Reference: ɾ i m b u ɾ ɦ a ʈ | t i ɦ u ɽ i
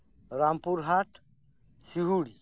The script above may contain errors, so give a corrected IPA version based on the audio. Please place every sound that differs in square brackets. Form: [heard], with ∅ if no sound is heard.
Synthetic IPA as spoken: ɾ [a] m [p] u ɾ ɦ a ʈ | [s] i ɦ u ɽ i